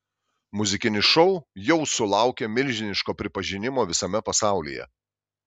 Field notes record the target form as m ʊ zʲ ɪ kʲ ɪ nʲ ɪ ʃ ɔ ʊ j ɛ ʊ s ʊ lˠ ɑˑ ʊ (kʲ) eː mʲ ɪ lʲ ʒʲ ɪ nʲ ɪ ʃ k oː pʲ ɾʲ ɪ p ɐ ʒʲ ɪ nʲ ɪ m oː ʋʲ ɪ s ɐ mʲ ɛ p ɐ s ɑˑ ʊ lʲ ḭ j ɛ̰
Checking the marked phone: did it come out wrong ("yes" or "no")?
no